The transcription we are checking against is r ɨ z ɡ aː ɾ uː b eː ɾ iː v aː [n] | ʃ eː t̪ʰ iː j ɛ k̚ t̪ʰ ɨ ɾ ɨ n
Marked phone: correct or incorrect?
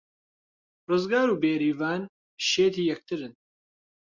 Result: correct